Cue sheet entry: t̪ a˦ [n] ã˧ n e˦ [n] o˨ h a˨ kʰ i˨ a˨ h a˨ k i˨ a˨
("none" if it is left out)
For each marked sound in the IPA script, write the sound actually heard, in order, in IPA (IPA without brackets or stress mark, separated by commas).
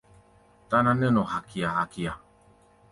n, n